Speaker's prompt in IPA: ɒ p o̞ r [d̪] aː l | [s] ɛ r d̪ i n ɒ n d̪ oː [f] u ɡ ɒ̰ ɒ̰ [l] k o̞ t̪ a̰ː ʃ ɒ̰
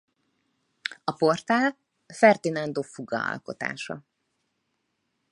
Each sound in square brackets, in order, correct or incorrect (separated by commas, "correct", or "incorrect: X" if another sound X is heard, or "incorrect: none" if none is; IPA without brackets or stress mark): incorrect: t̪, incorrect: f, correct, correct